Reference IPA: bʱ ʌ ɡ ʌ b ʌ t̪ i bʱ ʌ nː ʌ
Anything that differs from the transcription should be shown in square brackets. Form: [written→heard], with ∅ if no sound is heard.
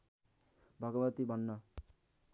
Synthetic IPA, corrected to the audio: bʱ ʌ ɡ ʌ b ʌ t̪ i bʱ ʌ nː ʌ